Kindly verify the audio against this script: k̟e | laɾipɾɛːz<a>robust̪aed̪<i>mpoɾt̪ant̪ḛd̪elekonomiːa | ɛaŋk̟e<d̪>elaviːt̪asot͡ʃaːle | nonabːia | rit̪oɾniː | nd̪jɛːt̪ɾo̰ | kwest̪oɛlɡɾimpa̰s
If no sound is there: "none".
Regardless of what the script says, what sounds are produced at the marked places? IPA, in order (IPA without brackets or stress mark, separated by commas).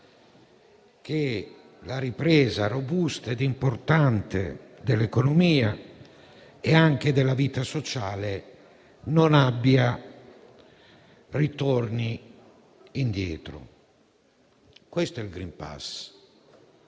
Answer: a, i, d̪